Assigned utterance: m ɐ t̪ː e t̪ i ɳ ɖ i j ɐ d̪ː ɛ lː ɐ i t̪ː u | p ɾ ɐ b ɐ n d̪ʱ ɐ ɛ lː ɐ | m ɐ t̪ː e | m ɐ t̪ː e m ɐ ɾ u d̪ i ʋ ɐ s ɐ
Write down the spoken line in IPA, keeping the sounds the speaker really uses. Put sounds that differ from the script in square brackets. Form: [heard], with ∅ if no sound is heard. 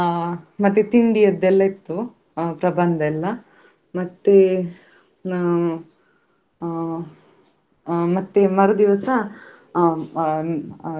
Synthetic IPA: m ɐ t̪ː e t̪ i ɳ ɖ i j ɐ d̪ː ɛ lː ɐ i t̪ː u | p ɾ ɐ b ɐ n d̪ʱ ɐ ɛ lː ɐ | m ɐ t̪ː e | m ɐ t̪ː e m ɐ ɾ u d̪ i ʋ ɐ s ɐ